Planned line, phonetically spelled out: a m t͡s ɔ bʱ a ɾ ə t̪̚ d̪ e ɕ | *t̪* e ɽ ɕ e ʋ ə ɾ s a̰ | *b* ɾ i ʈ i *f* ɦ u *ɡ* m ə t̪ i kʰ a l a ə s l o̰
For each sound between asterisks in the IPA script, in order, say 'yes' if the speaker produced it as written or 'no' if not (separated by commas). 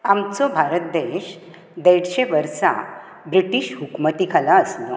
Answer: no, yes, no, no